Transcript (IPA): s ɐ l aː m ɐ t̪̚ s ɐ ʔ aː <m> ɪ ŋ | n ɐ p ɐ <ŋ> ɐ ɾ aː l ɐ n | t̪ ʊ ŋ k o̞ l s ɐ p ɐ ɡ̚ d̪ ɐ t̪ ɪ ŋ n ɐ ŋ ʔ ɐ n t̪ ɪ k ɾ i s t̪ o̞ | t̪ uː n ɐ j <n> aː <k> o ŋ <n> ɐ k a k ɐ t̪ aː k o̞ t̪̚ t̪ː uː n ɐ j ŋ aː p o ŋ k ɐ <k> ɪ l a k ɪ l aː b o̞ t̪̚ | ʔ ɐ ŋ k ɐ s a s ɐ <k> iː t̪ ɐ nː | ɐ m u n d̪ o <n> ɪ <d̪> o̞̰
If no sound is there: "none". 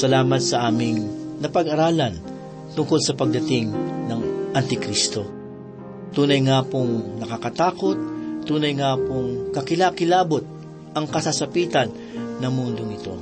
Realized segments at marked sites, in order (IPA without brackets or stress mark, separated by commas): m, ɡ, ŋ, p, n, k, p, ŋ, t̪